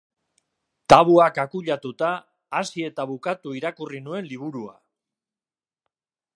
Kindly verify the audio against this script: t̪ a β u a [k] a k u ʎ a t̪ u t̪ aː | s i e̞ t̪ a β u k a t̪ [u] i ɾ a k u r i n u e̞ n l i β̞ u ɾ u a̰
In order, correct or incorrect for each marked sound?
correct, correct

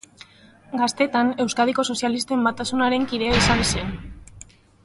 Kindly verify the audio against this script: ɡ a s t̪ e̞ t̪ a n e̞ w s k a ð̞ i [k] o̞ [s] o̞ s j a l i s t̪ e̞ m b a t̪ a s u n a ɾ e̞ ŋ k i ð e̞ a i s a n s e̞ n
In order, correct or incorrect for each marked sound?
correct, correct

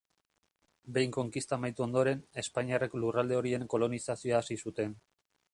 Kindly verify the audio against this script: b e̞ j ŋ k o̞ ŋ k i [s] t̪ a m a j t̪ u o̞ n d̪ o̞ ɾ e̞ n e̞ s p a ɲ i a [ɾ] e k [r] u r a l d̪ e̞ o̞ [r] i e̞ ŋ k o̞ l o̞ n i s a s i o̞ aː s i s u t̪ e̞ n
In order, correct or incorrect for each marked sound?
correct, incorrect: r, incorrect: l, incorrect: ɾ

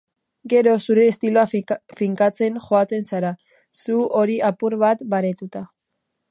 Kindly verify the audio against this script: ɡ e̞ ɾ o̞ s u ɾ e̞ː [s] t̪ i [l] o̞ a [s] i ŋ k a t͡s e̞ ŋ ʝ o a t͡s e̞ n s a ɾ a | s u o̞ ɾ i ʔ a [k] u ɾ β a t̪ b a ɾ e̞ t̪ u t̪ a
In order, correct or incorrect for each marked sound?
correct, correct, incorrect: f, incorrect: p

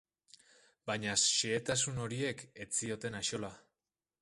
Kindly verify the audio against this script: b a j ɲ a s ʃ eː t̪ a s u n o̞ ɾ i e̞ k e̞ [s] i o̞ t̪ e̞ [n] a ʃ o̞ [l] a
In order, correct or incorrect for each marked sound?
incorrect: t͡s, correct, correct

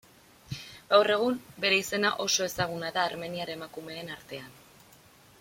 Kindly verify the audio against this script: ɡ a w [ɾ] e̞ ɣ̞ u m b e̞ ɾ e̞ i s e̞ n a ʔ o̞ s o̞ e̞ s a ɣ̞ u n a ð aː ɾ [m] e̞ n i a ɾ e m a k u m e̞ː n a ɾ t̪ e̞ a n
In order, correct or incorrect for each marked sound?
incorrect: r, correct

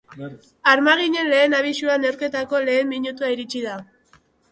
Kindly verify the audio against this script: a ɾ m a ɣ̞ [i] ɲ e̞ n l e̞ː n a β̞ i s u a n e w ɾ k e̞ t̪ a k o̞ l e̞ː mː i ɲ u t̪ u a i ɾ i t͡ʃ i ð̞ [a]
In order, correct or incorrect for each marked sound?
correct, correct

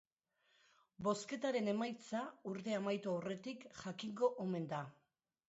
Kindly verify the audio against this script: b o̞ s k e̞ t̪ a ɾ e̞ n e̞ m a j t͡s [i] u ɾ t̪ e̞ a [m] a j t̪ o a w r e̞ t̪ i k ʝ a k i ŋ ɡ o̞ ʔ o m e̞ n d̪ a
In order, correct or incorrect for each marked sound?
incorrect: a, correct

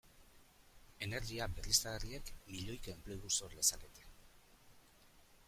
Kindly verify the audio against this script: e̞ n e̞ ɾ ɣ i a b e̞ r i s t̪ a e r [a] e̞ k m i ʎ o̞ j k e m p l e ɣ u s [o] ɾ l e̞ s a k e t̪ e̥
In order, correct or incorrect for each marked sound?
incorrect: i, correct

